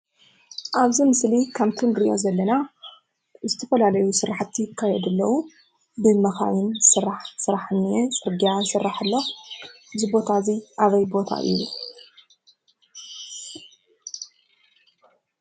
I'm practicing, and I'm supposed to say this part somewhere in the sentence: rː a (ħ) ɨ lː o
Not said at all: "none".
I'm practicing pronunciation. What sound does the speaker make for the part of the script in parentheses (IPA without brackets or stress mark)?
ħ